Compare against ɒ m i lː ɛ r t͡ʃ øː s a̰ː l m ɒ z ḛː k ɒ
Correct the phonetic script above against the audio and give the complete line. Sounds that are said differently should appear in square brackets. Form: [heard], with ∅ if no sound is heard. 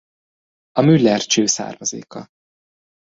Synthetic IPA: ɒ m [y] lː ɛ r t͡ʃ øː s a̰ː [r] m ɒ z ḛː k ɒ